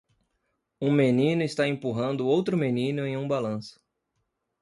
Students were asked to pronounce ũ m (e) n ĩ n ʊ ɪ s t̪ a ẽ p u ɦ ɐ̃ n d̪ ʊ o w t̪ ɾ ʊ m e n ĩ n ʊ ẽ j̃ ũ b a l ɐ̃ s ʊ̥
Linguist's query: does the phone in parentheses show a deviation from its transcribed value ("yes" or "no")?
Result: no